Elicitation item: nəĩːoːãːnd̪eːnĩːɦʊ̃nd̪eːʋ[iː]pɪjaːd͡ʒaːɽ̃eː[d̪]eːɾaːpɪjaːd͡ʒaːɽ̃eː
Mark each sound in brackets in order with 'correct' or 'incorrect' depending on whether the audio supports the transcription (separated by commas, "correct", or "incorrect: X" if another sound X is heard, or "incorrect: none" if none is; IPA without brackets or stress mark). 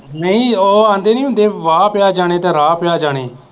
incorrect: aː, incorrect: t̪